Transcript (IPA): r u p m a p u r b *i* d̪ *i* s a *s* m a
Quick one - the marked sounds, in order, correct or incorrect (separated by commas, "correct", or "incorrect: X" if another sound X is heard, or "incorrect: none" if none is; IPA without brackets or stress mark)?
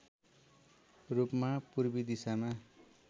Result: correct, correct, incorrect: none